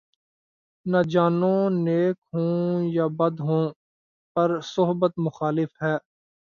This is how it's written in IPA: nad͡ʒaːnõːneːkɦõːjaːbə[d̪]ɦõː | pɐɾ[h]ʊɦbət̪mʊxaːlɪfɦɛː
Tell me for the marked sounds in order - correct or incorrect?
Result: correct, incorrect

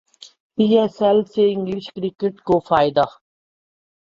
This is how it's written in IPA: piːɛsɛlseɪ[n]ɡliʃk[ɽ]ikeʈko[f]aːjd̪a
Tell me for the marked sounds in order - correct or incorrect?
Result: incorrect, incorrect, correct

